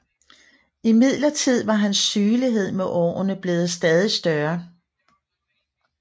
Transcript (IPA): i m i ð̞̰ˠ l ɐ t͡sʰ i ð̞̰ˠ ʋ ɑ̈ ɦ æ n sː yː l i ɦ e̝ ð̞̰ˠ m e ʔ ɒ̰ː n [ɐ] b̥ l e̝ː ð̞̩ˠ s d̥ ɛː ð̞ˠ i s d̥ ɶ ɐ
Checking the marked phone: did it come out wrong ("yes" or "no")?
yes